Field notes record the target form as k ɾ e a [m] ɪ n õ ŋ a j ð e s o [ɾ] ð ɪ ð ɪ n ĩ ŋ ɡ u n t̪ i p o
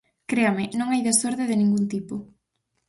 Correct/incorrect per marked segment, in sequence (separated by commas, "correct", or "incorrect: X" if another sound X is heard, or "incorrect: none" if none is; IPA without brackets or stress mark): correct, correct